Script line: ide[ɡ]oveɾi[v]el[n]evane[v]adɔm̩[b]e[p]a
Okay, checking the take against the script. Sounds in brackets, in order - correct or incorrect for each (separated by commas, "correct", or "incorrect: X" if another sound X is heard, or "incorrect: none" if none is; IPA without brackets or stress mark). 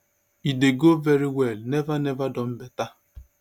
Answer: correct, incorrect: w, correct, correct, correct, incorrect: t